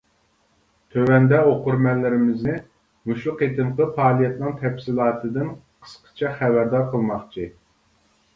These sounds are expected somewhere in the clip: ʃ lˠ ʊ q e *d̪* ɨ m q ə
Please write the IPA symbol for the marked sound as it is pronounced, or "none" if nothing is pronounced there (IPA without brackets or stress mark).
t̪